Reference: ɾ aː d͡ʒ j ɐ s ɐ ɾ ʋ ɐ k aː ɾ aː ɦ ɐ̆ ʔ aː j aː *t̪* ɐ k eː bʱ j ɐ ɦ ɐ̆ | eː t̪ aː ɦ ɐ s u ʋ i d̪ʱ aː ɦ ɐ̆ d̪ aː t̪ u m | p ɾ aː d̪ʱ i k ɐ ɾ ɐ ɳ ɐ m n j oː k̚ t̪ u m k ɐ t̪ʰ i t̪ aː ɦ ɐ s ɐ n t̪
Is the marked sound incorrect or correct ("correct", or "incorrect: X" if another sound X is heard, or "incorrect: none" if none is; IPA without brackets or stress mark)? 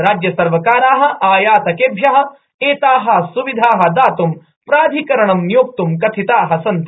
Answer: correct